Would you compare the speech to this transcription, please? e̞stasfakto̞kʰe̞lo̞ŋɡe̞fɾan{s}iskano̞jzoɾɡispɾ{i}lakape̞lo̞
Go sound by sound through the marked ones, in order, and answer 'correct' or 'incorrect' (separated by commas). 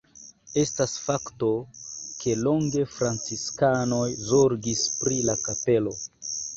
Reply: incorrect, correct